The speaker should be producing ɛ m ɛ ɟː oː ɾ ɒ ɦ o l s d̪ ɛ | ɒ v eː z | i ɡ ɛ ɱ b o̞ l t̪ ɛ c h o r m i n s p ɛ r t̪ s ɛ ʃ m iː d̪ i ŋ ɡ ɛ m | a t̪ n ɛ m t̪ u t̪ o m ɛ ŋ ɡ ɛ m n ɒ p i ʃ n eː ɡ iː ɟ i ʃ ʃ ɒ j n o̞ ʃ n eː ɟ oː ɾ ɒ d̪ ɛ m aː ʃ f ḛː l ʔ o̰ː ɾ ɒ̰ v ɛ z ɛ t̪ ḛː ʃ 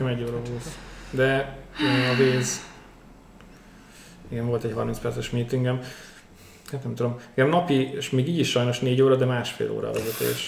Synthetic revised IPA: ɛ m ɛ ɟː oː ɾ ɒ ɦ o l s d̪ ɛ | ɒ v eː z | i ɡ ɛ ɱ v o̞ l t̪ ɛ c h ɒ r m i n s p ɛ r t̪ s ɛ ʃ m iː t̪ i ŋ ɡ ɛ m | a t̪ n ɛ m t̪ u d̪ o m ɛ ŋ ɡ ɛ m n ɒ p i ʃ m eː ɡ iː ɟ i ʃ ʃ ɒ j n o̞ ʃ n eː ɟ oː ɾ ɒ d̪ ɛ m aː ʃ f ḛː l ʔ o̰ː ɾ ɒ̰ v ɛ z ɛ t̪ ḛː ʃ